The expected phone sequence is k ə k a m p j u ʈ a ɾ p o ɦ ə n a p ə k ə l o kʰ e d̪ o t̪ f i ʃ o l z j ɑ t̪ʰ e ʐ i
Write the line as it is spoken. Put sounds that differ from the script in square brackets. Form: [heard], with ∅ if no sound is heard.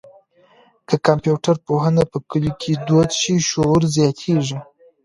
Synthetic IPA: k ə k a m p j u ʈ a ɾ p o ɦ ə n a p ə k ə l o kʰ e d̪ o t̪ [ʃ] i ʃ o [ɾ] z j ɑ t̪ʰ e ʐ i